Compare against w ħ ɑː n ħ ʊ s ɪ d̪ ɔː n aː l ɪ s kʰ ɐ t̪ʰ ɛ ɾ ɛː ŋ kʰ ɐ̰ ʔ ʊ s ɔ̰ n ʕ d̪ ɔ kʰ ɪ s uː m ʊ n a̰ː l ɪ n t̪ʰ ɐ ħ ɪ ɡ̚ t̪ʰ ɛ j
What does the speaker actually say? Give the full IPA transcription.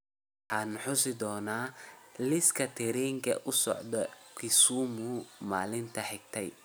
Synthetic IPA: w ħ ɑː n ħ ʊ s ɪ d̪ ɔː n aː l ɪ s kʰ ɐ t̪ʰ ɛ ɾ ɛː ŋ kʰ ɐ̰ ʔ ʊ s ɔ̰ ʕ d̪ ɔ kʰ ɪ s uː m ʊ m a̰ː l ɪ n t̪ʰ ɐ ħ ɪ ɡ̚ t̪ʰ ɛ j